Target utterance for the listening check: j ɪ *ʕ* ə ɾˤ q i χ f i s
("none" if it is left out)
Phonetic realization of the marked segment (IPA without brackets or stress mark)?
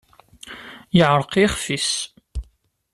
ʕ